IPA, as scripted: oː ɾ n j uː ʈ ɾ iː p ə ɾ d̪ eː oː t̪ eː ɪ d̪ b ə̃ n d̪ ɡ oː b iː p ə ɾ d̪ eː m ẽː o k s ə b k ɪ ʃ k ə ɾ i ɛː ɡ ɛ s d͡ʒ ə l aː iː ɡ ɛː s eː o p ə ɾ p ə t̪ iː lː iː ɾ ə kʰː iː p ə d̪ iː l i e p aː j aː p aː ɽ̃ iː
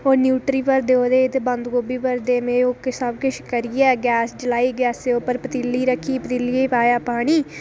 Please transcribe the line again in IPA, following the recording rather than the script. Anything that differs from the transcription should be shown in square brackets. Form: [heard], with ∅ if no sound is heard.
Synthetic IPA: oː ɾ n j uː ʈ ɾ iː p ə ɾ d̪ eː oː [d̪] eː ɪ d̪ b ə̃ n d̪ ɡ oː b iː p ə ɾ d̪ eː m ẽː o k s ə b k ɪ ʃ k ə ɾ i ɛː ɡ [ɛː] s d͡ʒ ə l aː iː ɡ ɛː s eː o p ə ɾ p ə t̪ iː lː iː ɾ ə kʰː iː p ə [t̪] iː l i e p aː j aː p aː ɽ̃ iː